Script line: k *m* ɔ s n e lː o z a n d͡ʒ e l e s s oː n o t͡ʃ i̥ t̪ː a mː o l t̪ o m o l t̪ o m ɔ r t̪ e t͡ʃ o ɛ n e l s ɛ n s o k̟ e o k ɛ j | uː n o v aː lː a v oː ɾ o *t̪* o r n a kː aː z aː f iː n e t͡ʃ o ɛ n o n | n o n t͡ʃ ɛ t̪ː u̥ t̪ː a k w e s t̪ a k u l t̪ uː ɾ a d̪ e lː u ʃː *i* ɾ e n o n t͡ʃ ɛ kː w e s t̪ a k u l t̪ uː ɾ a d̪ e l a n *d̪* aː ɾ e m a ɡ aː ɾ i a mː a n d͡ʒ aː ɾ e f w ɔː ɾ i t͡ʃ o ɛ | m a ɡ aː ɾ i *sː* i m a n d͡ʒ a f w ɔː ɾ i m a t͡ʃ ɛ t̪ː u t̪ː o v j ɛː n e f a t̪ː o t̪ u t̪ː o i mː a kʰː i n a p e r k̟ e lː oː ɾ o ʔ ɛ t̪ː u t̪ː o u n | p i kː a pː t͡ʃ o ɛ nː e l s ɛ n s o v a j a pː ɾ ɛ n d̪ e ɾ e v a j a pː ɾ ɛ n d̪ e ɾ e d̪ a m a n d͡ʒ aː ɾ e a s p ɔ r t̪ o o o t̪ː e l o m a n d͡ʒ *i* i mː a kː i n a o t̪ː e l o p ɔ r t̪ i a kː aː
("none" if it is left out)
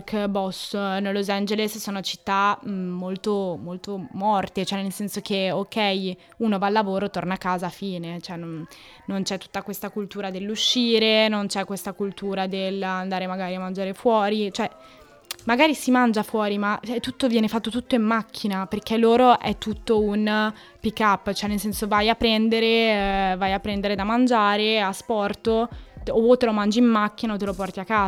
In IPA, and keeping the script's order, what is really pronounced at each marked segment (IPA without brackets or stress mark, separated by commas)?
b, t̪, iː, d̪, s, i